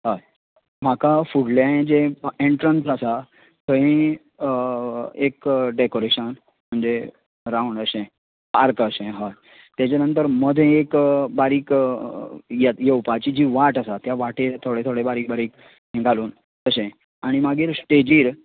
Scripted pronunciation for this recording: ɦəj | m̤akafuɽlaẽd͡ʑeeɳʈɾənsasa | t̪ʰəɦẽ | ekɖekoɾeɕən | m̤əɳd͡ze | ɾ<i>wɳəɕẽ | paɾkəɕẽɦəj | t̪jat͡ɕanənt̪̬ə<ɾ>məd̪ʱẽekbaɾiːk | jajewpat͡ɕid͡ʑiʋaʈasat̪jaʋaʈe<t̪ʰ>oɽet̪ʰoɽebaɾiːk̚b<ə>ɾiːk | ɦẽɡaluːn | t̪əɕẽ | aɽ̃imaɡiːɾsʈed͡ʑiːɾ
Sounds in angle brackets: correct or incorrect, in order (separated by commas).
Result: incorrect, correct, correct, incorrect